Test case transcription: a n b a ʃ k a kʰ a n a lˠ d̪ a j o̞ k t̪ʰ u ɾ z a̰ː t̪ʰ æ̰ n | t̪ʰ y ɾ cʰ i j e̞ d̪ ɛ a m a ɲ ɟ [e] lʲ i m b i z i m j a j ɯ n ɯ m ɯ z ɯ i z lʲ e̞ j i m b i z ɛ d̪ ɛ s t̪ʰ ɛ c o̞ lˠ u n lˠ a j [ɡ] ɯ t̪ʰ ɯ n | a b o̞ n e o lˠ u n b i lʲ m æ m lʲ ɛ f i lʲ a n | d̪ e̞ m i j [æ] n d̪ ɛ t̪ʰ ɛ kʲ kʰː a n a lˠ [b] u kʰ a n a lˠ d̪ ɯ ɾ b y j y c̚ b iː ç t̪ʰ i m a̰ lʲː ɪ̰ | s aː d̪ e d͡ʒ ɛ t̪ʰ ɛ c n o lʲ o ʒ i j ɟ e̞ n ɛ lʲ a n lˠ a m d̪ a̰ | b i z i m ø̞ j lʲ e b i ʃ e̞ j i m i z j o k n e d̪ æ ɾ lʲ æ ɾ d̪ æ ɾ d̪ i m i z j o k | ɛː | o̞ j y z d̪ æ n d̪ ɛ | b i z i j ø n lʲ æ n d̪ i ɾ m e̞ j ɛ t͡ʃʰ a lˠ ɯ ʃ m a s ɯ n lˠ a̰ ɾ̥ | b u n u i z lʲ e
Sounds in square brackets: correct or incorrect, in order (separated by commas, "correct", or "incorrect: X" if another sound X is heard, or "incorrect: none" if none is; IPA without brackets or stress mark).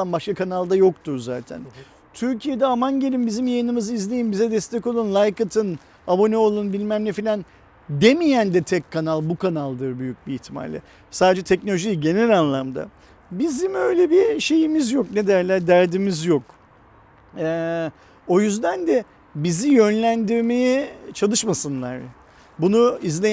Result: correct, incorrect: k, correct, correct